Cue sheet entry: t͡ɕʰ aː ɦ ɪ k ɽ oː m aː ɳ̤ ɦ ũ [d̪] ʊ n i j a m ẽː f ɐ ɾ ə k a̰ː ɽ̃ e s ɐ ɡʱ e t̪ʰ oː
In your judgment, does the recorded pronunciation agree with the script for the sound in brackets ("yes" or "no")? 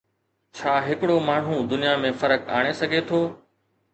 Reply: yes